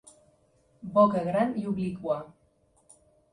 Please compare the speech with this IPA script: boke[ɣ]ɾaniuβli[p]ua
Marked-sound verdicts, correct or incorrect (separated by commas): correct, incorrect